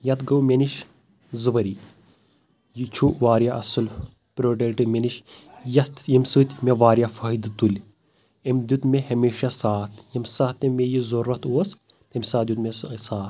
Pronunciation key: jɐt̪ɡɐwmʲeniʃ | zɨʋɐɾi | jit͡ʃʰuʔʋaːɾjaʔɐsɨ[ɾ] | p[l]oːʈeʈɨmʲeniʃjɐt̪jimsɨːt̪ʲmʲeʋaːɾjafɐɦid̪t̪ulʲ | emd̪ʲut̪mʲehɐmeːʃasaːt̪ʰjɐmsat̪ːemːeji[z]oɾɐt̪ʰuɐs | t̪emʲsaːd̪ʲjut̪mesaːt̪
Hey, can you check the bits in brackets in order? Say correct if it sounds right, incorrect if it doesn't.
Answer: incorrect: l, incorrect: ɾ, correct

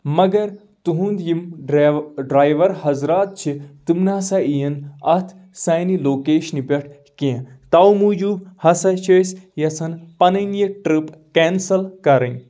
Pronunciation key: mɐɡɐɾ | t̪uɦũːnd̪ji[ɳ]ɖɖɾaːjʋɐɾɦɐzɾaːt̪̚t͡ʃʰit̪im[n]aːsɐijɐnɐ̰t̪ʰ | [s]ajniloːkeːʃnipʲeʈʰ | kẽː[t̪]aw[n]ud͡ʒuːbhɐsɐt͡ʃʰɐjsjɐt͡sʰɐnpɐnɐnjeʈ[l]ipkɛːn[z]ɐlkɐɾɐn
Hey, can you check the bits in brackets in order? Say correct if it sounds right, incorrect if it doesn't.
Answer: incorrect: m, correct, correct, correct, incorrect: m, incorrect: ɾ, incorrect: s

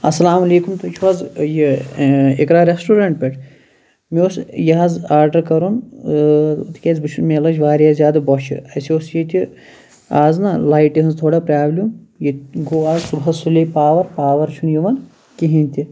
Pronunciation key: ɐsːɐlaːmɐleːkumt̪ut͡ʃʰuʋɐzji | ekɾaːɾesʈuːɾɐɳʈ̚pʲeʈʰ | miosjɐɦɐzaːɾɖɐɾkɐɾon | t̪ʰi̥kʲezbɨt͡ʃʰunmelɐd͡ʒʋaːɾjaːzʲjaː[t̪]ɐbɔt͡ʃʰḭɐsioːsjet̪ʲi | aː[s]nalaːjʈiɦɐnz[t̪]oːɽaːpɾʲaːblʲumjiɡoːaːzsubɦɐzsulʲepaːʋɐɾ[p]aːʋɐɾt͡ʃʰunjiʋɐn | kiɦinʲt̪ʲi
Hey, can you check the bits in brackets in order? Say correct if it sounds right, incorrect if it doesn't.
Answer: incorrect: d̪, incorrect: z, incorrect: t̪ʰ, correct

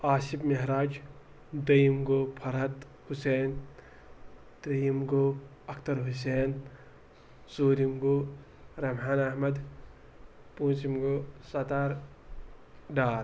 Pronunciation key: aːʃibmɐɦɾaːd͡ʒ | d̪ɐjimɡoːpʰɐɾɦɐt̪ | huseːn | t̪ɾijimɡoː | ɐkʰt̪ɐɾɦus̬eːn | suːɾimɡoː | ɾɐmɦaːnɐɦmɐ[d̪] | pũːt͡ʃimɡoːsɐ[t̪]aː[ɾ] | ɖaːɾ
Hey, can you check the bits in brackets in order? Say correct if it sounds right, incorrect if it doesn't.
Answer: correct, correct, correct

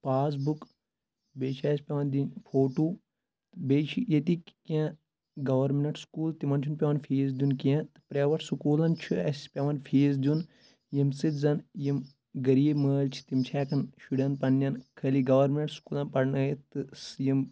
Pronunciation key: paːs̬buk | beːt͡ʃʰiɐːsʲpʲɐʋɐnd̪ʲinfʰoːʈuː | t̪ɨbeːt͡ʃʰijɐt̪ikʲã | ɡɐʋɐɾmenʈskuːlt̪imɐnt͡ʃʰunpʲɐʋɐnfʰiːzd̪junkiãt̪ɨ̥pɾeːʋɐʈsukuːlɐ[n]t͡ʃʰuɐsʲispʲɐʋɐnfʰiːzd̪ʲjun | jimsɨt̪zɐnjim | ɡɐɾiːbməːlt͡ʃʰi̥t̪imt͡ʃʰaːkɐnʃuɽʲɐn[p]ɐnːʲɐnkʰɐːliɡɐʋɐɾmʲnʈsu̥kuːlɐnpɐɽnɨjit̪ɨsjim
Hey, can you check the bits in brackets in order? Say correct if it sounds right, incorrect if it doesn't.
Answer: correct, correct

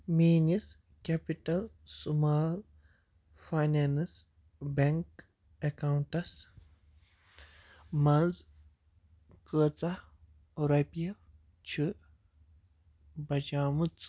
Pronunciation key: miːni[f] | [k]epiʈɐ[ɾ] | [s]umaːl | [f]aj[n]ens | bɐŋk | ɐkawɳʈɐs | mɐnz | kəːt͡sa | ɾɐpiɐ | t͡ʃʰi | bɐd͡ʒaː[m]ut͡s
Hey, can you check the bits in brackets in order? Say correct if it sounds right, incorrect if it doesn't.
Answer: incorrect: s, correct, incorrect: l, correct, correct, correct, correct

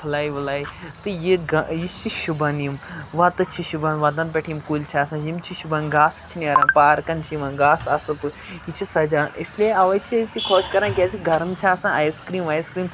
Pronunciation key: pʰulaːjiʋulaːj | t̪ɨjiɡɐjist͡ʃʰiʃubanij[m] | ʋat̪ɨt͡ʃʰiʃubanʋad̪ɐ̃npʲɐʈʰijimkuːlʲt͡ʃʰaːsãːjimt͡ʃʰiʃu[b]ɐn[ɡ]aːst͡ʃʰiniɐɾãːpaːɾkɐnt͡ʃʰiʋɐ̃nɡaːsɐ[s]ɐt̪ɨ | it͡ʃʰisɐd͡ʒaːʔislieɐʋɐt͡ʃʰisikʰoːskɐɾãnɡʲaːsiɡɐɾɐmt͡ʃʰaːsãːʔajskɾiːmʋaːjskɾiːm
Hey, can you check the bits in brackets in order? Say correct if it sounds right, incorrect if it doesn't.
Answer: correct, correct, correct, correct

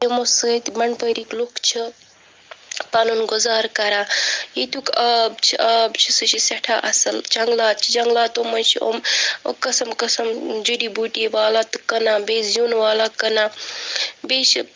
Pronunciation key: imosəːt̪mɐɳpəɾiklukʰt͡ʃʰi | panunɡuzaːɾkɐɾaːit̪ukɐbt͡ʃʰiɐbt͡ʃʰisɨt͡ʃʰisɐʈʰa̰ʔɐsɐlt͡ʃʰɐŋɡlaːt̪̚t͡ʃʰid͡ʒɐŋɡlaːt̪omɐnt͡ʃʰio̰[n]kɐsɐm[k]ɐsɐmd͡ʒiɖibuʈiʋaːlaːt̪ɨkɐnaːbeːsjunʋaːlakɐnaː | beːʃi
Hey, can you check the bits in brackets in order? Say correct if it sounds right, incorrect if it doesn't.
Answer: incorrect: m, correct

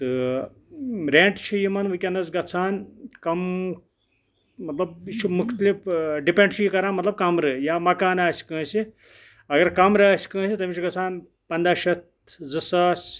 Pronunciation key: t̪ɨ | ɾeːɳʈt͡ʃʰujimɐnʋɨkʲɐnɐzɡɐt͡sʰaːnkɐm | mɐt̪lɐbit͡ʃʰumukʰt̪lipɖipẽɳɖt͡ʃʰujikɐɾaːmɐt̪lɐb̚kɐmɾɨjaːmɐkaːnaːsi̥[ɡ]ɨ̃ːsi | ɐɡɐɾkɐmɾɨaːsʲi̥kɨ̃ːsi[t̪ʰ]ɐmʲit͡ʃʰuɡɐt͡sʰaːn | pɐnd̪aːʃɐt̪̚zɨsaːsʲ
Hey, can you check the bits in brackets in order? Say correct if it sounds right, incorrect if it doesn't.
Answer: incorrect: k, incorrect: t̪

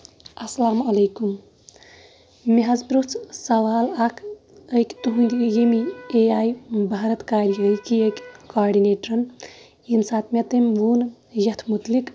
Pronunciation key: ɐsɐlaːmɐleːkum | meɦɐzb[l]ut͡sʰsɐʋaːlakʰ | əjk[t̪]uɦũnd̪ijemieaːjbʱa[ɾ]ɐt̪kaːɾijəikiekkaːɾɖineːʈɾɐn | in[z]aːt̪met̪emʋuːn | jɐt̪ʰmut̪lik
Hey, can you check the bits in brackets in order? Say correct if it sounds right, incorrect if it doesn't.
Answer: incorrect: ɾ, correct, correct, incorrect: s

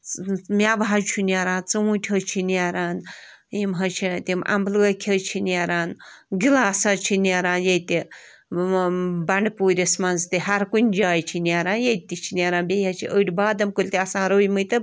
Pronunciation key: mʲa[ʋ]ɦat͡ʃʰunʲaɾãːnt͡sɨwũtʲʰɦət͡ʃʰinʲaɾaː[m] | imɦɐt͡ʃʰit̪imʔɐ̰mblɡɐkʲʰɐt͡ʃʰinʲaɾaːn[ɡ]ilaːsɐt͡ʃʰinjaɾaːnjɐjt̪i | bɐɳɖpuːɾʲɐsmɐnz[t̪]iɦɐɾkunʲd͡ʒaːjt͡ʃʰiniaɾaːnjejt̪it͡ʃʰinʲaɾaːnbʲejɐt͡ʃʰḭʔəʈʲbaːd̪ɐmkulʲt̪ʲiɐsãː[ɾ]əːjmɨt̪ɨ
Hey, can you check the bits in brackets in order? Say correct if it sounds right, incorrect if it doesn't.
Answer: correct, incorrect: n, correct, correct, correct

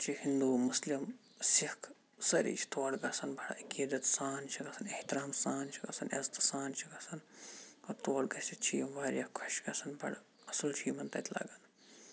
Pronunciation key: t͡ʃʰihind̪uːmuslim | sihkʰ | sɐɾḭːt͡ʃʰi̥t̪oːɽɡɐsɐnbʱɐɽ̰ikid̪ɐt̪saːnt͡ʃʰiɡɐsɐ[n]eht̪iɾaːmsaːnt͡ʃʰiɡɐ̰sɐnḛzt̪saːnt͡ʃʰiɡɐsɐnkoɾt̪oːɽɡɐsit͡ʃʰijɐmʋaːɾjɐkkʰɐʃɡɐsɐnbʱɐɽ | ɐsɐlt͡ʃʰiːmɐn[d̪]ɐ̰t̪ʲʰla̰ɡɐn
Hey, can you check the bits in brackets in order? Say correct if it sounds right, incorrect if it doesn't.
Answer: correct, incorrect: t̪

